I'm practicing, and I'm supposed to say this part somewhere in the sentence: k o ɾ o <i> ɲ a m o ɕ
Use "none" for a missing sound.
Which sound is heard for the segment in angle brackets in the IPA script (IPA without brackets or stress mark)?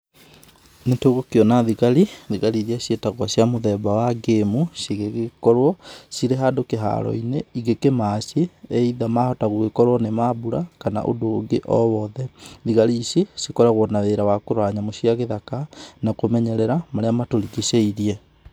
a